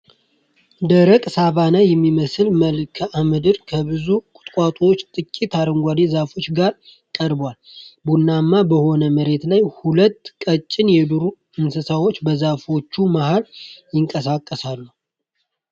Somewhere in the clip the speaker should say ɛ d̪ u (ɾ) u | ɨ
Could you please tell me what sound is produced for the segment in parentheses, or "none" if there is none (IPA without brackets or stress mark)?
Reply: ɾ